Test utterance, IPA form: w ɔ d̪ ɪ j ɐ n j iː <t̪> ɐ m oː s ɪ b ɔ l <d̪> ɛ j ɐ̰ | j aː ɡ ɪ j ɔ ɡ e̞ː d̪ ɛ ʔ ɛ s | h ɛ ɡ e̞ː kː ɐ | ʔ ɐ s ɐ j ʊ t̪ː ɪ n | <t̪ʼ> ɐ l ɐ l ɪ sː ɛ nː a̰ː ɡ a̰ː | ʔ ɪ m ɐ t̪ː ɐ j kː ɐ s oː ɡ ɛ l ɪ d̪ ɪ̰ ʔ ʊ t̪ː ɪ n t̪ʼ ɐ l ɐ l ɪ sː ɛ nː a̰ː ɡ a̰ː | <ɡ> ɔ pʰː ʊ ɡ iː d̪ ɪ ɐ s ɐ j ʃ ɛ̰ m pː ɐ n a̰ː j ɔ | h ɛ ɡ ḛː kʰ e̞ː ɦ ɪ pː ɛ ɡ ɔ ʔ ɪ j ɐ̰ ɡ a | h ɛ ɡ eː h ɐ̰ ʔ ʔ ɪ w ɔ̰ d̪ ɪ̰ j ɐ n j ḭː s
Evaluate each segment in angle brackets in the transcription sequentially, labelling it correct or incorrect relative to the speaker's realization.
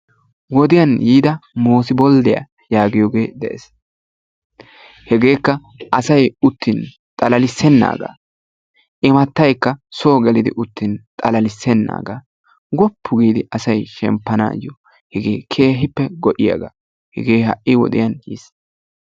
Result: incorrect: d̪, correct, correct, correct

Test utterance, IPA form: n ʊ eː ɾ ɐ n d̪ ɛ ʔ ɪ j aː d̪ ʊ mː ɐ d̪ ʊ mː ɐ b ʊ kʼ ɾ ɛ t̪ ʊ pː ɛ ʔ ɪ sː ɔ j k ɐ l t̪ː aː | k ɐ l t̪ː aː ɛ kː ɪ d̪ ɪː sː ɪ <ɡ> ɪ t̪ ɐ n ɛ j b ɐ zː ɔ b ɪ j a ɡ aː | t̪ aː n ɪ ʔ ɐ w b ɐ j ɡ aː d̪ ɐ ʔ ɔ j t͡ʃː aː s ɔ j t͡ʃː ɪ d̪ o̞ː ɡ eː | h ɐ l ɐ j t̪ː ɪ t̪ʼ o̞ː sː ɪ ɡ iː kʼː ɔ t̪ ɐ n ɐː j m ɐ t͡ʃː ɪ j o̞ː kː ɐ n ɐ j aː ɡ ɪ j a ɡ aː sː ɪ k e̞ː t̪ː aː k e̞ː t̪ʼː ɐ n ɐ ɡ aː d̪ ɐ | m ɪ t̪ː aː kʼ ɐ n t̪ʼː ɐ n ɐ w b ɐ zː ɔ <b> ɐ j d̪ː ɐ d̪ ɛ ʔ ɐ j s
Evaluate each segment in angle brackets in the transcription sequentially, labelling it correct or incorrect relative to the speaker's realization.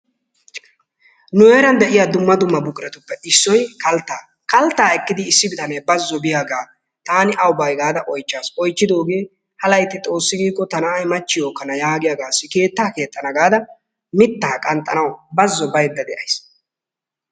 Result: incorrect: b, correct

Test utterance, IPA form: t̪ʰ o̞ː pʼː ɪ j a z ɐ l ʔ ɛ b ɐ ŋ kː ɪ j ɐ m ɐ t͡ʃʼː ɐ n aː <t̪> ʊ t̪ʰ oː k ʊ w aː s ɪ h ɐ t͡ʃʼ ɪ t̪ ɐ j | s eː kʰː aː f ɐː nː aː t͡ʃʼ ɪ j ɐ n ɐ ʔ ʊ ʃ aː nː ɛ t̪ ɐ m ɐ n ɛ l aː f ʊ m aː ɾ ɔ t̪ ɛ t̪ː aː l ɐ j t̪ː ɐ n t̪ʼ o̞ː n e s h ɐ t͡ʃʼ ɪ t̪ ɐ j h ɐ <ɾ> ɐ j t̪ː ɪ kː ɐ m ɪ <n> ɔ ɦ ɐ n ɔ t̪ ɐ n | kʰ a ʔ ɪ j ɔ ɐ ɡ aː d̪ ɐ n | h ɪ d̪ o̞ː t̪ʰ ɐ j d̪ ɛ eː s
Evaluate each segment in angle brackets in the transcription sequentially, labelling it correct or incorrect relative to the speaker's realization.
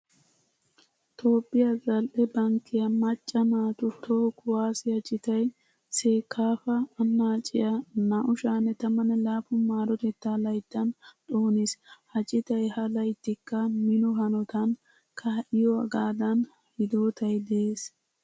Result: correct, incorrect: l, correct

